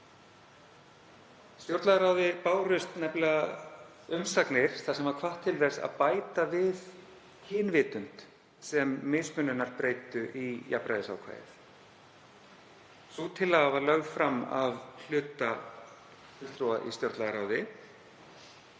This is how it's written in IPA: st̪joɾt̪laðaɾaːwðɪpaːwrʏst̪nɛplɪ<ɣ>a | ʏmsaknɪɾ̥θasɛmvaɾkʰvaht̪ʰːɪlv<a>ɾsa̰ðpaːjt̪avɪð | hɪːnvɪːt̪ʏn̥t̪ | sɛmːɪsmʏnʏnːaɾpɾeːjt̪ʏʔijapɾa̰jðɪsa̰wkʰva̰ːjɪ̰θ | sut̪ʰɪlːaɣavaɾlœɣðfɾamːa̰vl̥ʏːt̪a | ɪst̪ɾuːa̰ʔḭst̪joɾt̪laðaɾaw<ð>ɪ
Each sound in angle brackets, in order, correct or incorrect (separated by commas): correct, incorrect, correct